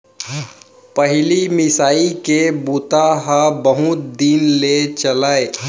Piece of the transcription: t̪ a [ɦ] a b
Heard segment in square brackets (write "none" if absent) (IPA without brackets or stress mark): ɦ